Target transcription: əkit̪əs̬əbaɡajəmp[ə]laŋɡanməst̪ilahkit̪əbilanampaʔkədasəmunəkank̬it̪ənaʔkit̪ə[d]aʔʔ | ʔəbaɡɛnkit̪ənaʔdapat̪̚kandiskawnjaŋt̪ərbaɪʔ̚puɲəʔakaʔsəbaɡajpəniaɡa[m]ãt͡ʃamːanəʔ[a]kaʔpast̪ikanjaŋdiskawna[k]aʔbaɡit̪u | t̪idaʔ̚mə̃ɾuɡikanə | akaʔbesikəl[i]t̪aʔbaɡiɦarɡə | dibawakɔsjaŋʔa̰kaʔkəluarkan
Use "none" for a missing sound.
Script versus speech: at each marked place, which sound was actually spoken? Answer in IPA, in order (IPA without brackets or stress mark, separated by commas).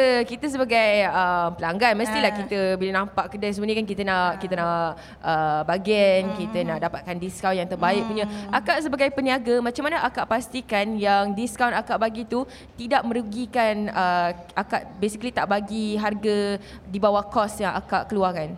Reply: ə, n, m, a, k, i